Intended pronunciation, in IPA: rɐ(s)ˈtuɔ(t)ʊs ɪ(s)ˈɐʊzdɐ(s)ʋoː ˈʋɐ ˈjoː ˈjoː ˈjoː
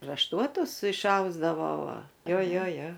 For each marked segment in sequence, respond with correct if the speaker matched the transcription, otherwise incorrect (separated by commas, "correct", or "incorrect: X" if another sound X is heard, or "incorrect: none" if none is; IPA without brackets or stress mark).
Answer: incorrect: ʃ, correct, incorrect: ʃ, incorrect: none